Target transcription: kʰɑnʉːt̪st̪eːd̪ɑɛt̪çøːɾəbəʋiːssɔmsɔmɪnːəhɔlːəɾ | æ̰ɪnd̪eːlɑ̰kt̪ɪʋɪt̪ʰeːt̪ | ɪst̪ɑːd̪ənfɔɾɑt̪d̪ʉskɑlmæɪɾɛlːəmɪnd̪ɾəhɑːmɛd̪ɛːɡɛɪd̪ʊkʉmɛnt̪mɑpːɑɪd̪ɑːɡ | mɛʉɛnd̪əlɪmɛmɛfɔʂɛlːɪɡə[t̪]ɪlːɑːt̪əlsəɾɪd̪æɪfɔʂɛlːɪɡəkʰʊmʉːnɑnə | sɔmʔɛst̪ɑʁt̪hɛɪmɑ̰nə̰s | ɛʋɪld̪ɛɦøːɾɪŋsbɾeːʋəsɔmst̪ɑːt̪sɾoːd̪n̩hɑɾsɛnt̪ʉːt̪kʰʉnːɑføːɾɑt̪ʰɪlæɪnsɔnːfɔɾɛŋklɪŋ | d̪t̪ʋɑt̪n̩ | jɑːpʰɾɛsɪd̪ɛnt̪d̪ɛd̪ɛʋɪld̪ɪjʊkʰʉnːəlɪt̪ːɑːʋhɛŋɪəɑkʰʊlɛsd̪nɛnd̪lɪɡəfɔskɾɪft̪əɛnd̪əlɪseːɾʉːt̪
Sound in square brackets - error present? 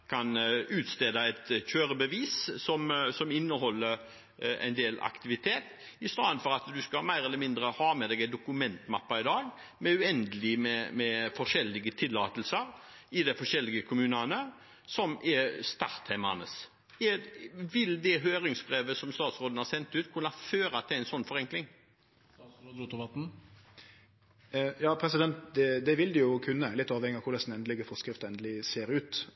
yes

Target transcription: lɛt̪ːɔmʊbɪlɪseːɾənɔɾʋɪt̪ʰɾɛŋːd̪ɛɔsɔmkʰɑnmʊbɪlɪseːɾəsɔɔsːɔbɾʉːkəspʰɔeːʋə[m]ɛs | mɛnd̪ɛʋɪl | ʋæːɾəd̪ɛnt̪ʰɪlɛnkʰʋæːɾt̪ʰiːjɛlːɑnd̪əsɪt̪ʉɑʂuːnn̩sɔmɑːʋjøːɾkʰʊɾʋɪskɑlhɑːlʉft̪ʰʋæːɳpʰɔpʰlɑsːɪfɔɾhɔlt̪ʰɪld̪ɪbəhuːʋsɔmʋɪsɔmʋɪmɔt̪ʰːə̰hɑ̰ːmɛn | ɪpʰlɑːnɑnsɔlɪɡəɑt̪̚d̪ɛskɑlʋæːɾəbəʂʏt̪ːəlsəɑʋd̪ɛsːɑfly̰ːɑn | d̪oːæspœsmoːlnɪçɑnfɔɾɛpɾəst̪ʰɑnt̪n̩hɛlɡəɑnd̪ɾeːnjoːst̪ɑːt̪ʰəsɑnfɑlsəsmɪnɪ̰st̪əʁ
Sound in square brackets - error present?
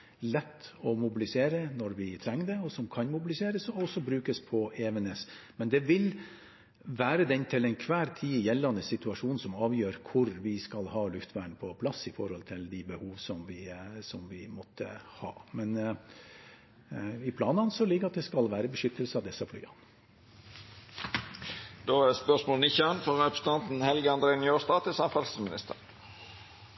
yes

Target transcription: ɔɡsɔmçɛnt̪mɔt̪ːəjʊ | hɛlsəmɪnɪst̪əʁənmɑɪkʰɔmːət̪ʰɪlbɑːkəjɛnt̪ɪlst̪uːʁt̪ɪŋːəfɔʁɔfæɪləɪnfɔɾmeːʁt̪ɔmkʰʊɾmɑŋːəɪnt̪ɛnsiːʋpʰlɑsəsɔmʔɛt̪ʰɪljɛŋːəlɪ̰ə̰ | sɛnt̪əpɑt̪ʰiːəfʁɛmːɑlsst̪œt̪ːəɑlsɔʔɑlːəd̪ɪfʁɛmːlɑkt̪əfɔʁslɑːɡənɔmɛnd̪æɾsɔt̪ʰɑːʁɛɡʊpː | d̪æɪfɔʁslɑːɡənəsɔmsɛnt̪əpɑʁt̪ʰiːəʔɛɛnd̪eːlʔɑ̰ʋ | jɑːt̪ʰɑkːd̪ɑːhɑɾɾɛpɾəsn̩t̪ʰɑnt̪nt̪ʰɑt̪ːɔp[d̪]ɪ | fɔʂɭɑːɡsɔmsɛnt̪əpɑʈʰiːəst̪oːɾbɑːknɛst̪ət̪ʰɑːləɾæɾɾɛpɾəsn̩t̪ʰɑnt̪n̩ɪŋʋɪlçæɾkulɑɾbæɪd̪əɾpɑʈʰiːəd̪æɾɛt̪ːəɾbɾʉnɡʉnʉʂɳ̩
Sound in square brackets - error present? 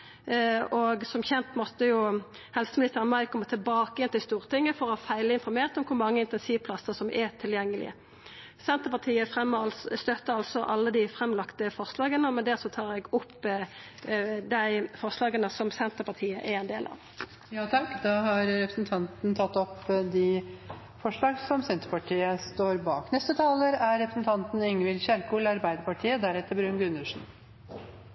no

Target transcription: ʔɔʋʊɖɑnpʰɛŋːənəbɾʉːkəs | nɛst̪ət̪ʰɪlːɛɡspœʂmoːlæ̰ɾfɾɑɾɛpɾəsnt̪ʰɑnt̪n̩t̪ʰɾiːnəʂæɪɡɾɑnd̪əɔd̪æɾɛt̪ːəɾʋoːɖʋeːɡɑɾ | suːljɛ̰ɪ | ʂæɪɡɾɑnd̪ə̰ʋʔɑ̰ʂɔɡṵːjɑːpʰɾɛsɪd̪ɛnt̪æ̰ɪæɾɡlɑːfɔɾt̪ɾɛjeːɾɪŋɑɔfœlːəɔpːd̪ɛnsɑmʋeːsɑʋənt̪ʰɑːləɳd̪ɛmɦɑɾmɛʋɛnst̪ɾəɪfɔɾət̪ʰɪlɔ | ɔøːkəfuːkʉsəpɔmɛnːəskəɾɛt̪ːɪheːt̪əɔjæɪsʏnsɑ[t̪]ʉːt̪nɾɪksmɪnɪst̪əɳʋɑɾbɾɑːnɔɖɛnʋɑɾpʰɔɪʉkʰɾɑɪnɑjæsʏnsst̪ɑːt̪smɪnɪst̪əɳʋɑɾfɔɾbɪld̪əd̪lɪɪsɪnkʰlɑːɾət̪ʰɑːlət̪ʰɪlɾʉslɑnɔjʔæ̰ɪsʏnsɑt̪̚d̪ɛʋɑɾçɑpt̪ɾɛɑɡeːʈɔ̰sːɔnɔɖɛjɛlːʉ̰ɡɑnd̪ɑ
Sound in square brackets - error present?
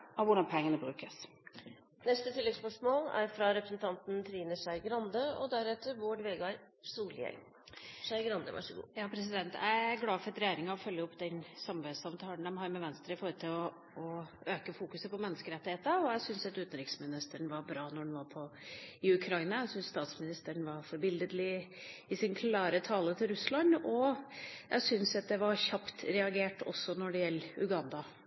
no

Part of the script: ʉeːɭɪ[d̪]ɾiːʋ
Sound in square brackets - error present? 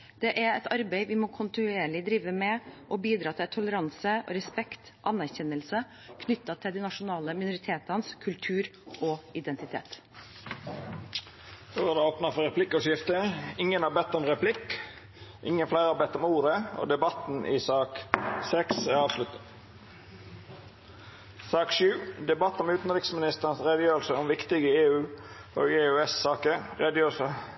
no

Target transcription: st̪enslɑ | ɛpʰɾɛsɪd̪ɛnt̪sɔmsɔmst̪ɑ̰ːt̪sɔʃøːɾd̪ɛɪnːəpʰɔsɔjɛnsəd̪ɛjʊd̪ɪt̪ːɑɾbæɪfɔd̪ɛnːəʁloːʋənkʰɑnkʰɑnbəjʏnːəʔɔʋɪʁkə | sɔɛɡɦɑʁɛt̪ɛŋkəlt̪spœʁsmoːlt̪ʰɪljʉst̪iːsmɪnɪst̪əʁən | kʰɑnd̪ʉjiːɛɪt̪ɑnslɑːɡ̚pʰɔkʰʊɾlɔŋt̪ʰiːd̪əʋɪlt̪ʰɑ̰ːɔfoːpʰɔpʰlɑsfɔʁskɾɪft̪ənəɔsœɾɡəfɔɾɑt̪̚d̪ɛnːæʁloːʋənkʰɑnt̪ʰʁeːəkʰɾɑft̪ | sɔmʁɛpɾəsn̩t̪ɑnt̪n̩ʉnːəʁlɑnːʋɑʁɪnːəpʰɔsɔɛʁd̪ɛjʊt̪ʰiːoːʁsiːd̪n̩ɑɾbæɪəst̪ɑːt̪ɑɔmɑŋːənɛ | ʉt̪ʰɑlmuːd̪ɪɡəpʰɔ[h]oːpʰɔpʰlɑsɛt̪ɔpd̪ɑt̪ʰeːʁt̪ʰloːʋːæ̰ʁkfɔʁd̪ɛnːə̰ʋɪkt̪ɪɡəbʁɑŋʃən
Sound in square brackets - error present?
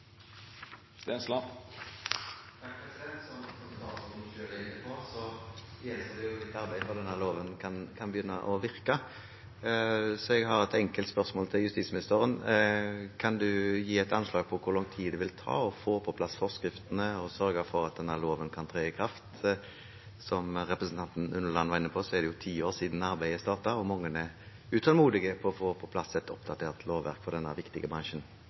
yes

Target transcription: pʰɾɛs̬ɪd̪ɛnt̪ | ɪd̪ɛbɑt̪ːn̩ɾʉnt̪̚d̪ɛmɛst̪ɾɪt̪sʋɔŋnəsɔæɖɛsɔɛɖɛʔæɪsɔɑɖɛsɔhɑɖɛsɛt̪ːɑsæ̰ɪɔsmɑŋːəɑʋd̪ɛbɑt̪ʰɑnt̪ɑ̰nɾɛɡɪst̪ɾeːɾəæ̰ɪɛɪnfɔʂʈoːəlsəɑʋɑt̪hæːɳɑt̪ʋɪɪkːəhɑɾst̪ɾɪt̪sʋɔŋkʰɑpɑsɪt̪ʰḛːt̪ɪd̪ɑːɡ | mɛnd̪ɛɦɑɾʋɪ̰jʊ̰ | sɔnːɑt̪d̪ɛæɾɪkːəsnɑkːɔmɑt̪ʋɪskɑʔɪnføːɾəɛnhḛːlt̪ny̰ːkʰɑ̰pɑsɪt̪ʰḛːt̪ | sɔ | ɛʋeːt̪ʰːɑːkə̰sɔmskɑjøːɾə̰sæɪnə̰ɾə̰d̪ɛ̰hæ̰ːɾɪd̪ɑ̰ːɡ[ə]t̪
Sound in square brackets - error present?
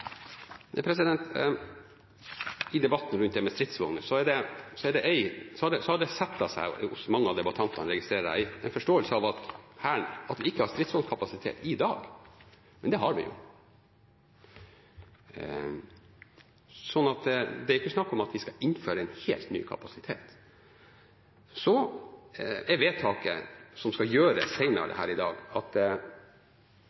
yes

